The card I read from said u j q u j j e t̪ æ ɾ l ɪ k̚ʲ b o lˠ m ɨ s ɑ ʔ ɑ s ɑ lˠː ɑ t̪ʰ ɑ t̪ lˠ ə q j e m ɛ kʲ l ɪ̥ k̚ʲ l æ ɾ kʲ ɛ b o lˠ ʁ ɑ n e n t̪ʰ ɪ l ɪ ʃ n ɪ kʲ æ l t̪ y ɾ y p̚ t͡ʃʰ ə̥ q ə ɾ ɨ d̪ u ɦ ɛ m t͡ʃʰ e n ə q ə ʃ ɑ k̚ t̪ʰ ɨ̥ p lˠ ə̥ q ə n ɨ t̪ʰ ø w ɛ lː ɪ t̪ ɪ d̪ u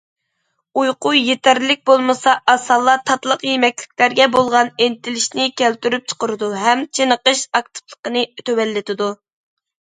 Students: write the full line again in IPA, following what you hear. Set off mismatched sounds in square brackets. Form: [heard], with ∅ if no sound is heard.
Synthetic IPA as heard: u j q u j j e t̪ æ ɾ l ɪ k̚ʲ b o lˠ m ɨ s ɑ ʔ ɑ s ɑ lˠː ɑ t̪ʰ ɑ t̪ lˠ ə q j e m ɛ kʲ l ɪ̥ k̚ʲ l æ ɾ [ɡʲ] ɛ b o lˠ ʁ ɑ n e n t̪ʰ ɪ l ɪ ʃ n ɪ kʲ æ l t̪ y ɾ y p̚ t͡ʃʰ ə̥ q ə ɾ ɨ d̪ u ɦ ɛ m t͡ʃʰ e n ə q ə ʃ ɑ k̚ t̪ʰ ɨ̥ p lˠ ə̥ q ə n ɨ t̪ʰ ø w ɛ lː ɪ t̪ ɪ d̪ u